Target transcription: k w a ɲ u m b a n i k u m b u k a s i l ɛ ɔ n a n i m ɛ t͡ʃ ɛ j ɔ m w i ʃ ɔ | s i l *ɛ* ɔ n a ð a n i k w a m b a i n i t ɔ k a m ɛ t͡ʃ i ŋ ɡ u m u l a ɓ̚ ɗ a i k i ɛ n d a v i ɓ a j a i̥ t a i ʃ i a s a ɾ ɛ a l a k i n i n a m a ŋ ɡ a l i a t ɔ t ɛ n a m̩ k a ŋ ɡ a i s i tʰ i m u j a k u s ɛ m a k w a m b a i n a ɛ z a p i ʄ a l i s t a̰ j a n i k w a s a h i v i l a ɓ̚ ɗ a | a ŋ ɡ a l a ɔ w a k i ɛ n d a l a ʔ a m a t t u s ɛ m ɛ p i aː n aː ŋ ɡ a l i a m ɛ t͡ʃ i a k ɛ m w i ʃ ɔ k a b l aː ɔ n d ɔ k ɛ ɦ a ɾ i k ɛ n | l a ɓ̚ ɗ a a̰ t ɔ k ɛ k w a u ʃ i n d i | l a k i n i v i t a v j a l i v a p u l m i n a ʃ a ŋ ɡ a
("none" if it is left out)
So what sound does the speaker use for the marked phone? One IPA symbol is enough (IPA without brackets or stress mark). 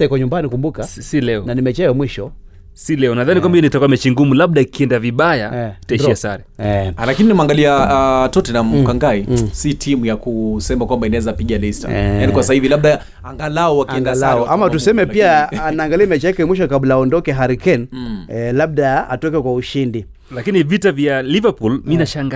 ɛ